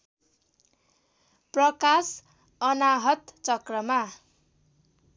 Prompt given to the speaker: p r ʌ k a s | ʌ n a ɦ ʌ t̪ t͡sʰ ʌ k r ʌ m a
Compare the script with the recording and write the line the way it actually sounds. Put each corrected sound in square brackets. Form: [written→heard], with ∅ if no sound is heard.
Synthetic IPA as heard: p r ʌ k a s | ʌ n a ɦ ʌ t̪ [t͡sʰ→t͡s] ʌ k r ʌ m a